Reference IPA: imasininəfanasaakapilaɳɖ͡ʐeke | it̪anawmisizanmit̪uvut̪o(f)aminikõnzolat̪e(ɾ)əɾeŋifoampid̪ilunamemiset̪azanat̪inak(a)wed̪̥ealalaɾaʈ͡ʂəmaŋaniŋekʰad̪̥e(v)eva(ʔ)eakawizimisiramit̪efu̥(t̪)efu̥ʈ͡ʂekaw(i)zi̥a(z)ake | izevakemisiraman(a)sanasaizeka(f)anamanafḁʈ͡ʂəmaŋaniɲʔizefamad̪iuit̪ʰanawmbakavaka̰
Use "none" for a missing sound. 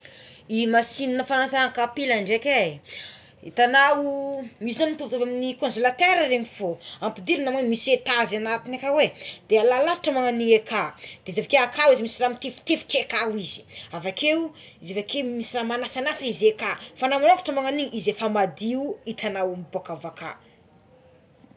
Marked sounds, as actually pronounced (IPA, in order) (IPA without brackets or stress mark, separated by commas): v, ɾ, a, z, k, t̪, i, v, a, f